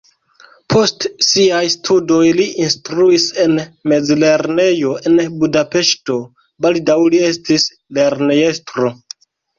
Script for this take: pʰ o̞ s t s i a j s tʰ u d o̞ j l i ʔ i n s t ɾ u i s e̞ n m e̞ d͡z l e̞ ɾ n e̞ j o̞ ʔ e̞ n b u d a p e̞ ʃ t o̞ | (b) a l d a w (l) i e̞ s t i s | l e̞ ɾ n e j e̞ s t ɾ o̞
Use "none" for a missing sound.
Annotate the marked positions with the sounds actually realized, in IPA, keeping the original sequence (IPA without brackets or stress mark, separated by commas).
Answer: b, l